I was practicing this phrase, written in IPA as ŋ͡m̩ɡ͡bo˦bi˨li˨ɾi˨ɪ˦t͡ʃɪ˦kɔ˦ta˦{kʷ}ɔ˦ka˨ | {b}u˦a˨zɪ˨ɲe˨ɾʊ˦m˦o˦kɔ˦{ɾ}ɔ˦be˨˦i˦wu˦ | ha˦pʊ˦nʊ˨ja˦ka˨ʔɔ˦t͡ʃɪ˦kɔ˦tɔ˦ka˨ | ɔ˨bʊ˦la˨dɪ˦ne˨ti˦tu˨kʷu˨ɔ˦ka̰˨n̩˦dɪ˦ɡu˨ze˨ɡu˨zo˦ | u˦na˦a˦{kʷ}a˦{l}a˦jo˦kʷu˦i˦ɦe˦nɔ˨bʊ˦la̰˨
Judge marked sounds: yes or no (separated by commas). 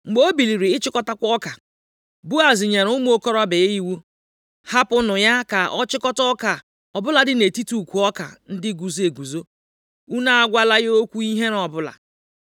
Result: yes, yes, yes, no, yes